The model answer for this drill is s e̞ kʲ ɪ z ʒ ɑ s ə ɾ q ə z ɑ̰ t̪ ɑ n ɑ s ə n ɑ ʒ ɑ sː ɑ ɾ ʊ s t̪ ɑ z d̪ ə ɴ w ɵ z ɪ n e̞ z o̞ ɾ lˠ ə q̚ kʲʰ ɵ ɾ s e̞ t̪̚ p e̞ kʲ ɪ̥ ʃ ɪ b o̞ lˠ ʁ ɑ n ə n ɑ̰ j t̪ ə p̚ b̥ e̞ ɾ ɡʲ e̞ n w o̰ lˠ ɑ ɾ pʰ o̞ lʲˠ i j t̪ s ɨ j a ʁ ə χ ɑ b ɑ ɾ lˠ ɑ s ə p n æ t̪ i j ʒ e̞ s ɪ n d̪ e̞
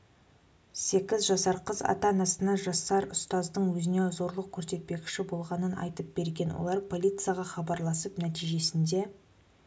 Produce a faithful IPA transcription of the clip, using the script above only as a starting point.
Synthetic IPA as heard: s e̞ kʲ ɪ z ʒ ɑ s ɑ ɾ q ə z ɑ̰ t̪ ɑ n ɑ s ə n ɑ ʒ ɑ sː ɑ ɾ ʊ s t̪ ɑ z d̪ ə ɴ w ɵ z ɪ n e̞ z o̞ ɾ lˠ ə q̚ kʲʰ ɵ ɾ s e̞ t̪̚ p e̞ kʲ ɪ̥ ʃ ɪ b o̞ lˠ ʁ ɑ n ə n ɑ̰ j t̪ ə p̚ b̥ e̞ ɾ ɡʲ e̞ n w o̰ lˠ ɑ ɾ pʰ o̞ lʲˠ i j t̪ s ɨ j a ʁ ɑ χ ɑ b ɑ ɾ lˠ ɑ s ə p n æ t̪ i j ʒ e̞ s ɪ n d̪ e̞